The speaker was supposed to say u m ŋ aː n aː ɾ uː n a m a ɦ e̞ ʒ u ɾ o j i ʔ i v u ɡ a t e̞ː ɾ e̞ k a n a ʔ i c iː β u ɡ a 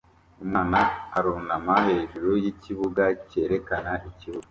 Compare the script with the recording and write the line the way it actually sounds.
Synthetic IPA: u m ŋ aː n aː ɾ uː n a m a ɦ e̞ ʒ u ɾ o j i c i β u ɡ a c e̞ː ɾ e̞ k a n a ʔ i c i β u ɡ a